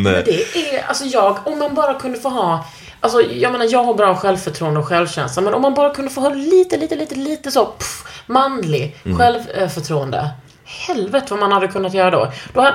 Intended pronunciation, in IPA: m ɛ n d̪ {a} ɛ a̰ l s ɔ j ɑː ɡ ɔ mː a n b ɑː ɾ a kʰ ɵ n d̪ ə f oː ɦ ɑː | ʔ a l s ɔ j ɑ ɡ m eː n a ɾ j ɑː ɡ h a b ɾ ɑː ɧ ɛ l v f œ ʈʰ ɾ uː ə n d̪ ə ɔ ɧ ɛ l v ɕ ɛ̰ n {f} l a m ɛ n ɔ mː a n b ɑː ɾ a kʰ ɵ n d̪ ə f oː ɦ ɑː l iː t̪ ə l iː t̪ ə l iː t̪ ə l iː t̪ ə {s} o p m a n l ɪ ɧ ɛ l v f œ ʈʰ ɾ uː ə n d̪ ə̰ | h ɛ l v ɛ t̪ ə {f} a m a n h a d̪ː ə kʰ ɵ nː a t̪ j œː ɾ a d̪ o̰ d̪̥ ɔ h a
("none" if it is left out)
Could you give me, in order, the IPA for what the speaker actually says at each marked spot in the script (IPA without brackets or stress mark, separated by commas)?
ɛ, s, s, v